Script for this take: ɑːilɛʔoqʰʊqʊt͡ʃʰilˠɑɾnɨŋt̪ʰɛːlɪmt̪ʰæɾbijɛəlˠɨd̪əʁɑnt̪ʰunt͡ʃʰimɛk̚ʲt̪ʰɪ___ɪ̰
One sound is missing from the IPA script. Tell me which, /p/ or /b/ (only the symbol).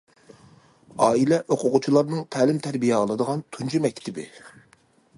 b